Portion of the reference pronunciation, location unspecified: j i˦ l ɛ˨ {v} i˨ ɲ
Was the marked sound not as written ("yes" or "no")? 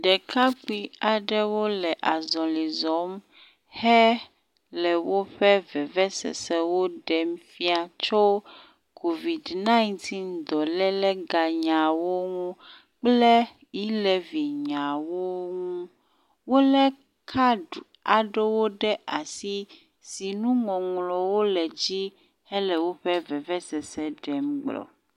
no